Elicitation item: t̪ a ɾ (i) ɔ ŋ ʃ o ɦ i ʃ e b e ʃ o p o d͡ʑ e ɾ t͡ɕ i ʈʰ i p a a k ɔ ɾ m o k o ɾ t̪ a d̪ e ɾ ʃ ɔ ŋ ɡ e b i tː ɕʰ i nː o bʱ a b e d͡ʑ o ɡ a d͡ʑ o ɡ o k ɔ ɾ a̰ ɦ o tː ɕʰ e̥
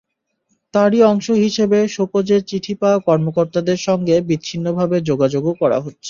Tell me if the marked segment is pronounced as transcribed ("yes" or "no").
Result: yes